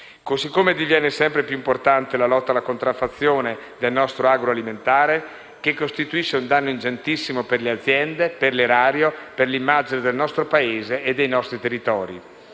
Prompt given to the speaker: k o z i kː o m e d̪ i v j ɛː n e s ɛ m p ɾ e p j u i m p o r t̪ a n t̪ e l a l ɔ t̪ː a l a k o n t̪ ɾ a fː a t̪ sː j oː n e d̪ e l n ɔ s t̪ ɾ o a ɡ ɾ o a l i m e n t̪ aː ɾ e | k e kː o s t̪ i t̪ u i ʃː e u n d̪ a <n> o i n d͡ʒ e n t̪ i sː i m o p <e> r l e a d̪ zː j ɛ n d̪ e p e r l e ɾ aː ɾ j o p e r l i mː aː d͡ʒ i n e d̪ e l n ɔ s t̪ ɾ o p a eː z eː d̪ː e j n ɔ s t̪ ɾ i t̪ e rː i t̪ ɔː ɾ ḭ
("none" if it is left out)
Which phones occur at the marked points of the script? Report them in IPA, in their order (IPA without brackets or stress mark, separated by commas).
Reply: nː, e